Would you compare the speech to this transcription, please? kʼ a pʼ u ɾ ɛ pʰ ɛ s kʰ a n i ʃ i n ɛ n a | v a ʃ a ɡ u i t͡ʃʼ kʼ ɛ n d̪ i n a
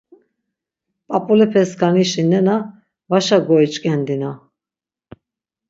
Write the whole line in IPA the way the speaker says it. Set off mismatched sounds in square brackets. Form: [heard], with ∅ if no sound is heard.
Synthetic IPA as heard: [pʼ] a pʼ u [l] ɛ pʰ ɛ s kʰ a n i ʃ i n ɛ n a | v a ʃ a ɡ [ɔ] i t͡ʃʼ kʼ ɛ n d̪ i n a